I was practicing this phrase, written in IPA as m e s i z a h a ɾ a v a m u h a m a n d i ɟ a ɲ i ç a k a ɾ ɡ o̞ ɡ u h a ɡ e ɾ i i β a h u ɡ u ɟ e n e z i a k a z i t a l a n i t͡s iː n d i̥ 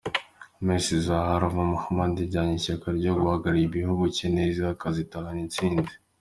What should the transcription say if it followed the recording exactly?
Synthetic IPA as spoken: m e s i z a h a ɾ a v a m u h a m a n d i ɟ a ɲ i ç a k a ɾ ɟ o̞ ɡ u h a ɡ a ɾ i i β i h u ɡ u c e n e z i a k a z i t a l a n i t͡s iː n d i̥